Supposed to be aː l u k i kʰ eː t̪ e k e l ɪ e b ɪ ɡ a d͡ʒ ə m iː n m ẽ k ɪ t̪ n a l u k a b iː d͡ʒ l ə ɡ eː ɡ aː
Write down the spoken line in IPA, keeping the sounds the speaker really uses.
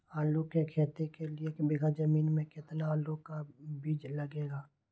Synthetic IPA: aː l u k e kʰ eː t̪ e k e l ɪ e b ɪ ɡ a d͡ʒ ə m iː n m ẽ k ɪ t̪ n a l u k a b iː d͡ʒ l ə ɡ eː ɡ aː